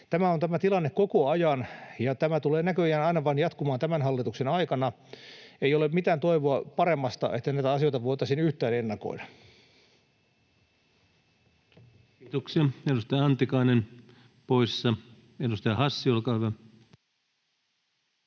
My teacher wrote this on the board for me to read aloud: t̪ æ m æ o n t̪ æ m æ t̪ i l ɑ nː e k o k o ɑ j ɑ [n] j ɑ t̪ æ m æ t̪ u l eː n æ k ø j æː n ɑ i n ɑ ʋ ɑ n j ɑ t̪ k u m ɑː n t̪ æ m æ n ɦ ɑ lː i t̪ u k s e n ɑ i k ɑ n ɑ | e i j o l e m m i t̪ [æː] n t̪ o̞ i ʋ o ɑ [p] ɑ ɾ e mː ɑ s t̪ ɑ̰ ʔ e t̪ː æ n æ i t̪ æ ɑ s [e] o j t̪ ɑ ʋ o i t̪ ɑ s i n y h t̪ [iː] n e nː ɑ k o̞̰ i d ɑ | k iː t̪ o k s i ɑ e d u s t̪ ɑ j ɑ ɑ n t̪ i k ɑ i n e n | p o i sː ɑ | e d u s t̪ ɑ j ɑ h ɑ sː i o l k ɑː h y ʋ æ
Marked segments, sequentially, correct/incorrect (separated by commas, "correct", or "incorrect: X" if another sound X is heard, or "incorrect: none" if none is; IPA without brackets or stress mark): correct, correct, correct, incorrect: i, incorrect: æː